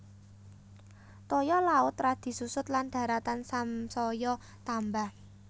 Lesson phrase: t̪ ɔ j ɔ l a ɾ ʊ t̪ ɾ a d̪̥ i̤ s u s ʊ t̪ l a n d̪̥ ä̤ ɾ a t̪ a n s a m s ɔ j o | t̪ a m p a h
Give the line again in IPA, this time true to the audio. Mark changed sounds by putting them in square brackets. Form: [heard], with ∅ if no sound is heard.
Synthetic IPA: t̪ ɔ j ɔ l a [∅] ʊ t̪ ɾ a d̪̥ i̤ s u s ʊ t̪ l a n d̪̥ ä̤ ɾ a t̪ a n s a m s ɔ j [ɔ] | t̪ a m [b] a h